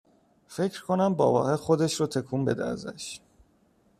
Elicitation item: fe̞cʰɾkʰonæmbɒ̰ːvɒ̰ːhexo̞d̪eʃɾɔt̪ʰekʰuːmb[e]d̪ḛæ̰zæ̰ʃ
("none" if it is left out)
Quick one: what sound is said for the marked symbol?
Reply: e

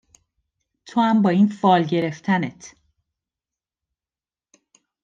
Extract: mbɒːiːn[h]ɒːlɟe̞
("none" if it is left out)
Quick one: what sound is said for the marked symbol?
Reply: f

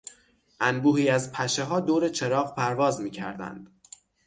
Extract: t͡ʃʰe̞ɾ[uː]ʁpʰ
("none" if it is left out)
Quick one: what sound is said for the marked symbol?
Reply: ɒː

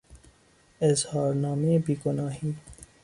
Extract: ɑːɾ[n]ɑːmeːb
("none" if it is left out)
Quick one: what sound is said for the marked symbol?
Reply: n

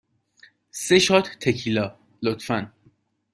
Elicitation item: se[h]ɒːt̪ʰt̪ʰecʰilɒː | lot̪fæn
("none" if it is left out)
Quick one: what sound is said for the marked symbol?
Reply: ʃ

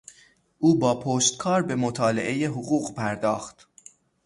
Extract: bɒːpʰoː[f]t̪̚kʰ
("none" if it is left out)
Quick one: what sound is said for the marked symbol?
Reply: ʃ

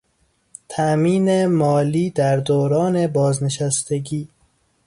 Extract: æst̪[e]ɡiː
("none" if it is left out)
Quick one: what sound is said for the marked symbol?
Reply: e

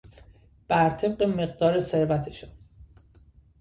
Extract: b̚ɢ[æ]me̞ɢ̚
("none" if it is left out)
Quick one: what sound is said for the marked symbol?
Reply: e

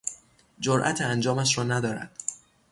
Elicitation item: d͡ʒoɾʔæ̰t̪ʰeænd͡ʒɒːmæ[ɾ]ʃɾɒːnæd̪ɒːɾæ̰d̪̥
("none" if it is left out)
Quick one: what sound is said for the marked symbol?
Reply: none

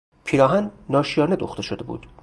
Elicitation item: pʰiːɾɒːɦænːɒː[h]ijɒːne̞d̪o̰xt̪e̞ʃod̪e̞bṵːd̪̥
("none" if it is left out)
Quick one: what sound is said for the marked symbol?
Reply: ʃ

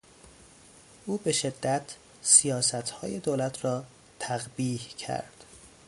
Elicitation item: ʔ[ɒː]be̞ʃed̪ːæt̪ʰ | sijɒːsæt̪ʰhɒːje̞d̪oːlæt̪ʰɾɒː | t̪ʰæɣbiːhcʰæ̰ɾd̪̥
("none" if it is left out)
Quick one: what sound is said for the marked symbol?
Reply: uː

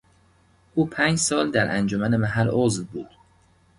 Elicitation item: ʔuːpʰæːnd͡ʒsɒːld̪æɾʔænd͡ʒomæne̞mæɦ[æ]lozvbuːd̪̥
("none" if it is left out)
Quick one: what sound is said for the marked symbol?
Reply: æ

